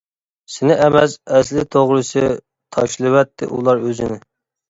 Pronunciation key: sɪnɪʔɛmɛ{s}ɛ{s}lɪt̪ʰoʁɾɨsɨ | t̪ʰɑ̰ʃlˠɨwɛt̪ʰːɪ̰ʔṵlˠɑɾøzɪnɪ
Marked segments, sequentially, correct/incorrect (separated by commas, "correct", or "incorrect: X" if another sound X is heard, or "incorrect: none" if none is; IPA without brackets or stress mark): correct, correct